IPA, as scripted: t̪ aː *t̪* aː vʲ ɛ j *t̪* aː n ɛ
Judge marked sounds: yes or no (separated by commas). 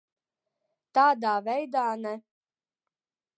no, no